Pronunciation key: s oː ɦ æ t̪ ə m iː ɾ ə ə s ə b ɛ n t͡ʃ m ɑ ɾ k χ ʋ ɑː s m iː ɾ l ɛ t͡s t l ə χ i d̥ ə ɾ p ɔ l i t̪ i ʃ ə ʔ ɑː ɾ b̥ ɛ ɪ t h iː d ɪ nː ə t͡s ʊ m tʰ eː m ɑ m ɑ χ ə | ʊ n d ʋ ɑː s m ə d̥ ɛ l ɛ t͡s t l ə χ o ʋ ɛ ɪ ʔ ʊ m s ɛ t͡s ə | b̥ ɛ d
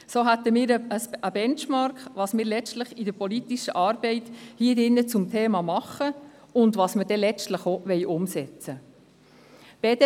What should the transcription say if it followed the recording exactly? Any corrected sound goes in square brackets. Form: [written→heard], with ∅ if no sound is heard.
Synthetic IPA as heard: s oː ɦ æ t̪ ə m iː ɾ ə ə s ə b ɛ n t͡ʃ m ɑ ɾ k χ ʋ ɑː s m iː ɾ l ɛ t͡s t l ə χ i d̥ ə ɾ p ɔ l i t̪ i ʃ ə ʔ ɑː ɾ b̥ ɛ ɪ t h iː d ɪ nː ə t͡s ʊ m tʰ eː m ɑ m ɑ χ ə | ʊ n d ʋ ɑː s m ə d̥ ɛ l ɛ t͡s t l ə χ o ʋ ɛ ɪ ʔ ʊ m s ɛ t͡s ə | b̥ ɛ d